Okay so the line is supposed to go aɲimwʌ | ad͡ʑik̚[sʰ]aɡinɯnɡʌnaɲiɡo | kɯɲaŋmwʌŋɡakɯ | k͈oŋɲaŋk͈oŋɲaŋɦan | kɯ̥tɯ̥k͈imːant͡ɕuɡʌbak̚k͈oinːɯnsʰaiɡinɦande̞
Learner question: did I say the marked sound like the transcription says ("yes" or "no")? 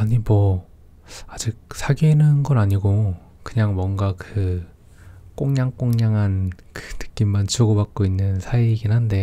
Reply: yes